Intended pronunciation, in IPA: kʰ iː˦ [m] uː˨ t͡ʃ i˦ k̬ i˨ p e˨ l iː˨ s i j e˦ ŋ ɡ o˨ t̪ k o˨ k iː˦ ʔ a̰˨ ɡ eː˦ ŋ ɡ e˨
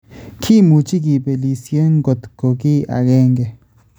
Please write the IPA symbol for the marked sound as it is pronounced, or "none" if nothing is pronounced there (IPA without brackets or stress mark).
m